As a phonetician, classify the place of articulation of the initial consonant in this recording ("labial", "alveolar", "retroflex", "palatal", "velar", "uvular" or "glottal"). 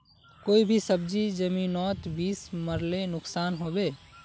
velar